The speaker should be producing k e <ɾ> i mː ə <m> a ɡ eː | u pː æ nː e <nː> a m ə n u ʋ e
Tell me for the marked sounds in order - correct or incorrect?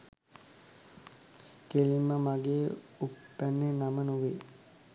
incorrect: l, correct, incorrect: n

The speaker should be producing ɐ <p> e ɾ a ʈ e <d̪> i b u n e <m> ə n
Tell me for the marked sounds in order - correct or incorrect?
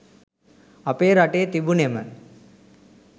correct, incorrect: t̪, correct

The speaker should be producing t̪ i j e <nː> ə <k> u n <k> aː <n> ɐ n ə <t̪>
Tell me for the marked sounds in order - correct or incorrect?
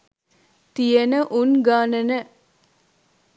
incorrect: n, incorrect: ʔ, incorrect: ɡ, correct, incorrect: none

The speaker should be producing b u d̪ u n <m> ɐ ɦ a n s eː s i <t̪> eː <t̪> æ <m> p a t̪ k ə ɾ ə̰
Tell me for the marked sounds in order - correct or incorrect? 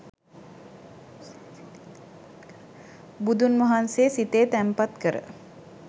correct, correct, correct, correct

